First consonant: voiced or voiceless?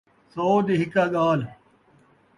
voiceless